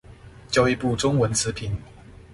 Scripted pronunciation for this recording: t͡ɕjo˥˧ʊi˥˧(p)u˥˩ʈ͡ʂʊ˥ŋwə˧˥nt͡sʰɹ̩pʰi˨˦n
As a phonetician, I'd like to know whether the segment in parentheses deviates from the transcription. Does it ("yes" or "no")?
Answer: no